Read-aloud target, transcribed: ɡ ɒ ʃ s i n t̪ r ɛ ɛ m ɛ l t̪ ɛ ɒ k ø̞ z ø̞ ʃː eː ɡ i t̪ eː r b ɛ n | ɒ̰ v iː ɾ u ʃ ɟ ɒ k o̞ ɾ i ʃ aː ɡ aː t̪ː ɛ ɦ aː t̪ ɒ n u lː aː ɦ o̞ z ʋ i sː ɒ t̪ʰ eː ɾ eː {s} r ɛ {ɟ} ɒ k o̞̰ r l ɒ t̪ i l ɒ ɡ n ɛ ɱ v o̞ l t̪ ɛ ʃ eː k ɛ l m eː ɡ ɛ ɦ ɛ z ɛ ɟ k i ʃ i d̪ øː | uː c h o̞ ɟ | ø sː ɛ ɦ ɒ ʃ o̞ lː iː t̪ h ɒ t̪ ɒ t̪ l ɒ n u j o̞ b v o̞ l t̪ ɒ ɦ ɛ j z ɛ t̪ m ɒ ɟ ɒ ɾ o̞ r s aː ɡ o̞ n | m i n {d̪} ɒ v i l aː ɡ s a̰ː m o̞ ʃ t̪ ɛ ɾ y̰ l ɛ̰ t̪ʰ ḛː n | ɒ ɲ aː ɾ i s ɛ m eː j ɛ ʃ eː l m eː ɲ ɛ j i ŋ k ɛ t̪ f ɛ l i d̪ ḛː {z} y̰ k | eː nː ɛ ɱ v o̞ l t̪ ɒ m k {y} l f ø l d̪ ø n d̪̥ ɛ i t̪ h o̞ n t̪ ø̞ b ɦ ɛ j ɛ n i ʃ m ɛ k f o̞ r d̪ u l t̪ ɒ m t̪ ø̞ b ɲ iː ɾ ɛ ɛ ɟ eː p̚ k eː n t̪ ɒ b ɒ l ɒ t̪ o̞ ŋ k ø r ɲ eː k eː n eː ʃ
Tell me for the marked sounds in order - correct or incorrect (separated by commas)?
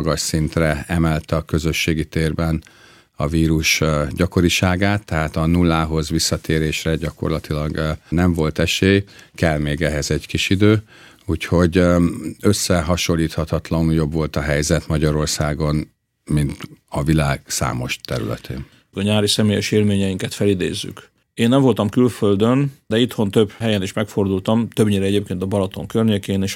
incorrect, correct, incorrect, incorrect, correct